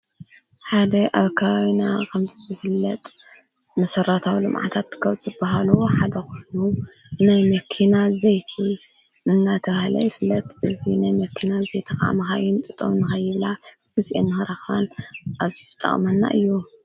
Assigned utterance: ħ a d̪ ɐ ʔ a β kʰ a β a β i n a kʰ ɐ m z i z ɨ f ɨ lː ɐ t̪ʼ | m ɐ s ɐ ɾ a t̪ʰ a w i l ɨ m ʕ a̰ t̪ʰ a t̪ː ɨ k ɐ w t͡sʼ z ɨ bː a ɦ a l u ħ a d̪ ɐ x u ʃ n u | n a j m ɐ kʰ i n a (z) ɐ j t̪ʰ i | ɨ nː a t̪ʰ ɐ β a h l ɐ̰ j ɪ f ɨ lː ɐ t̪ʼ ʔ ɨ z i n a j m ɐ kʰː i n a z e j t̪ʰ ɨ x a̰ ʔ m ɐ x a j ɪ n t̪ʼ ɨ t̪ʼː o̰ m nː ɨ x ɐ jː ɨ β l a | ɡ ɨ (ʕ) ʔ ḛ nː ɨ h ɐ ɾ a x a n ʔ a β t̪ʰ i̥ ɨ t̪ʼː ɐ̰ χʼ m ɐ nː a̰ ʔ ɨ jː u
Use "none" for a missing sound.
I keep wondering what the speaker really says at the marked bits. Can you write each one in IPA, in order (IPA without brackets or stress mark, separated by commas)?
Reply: z, z